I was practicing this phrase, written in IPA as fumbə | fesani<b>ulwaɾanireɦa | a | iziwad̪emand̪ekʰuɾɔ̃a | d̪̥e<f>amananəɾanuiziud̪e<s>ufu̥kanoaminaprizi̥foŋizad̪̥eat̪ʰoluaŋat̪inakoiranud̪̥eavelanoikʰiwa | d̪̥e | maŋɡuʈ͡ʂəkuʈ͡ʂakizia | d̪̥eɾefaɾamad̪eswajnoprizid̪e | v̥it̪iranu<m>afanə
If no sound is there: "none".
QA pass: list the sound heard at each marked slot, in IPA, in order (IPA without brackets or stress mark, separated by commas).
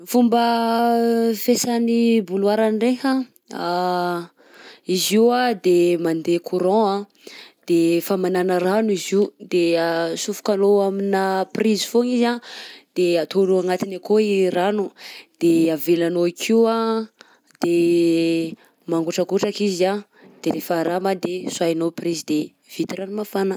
b, f, s, m